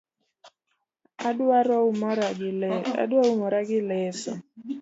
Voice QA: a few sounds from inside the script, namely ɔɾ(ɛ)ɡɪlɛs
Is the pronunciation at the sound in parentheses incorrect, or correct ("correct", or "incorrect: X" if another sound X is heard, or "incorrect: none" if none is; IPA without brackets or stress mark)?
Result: incorrect: a